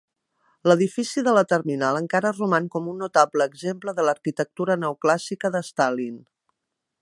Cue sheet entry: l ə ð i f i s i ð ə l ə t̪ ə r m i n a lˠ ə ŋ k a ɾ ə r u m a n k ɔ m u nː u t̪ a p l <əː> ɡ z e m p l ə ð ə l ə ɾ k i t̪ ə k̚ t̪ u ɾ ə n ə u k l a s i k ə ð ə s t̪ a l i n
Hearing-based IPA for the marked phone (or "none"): əː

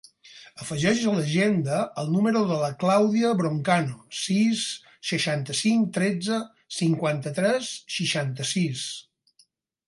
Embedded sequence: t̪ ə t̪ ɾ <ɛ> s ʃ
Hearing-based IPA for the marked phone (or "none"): ɛ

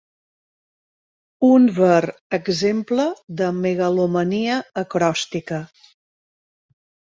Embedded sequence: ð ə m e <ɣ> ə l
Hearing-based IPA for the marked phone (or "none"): ɣ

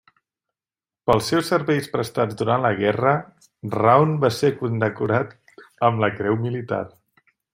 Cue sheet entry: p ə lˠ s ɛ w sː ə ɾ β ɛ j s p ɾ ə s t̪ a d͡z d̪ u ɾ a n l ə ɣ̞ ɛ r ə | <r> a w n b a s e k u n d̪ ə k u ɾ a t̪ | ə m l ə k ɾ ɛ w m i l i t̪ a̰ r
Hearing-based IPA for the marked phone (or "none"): r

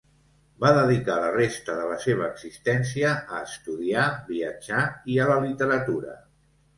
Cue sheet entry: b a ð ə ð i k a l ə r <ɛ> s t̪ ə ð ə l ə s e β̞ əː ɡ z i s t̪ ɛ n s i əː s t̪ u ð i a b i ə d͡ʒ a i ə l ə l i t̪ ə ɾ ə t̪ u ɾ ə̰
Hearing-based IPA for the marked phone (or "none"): e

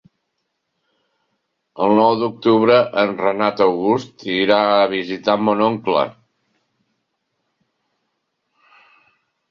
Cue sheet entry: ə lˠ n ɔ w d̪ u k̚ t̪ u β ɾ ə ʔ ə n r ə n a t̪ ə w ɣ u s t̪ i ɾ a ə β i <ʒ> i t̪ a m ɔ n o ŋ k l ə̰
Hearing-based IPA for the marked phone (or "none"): z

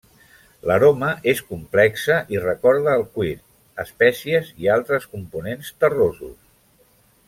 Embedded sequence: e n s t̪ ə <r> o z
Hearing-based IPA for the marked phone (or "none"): r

